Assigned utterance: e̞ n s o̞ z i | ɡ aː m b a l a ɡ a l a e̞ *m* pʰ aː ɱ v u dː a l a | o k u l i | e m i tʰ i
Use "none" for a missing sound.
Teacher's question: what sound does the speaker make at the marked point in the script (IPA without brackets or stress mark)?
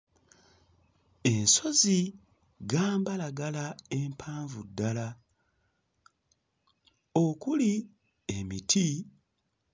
m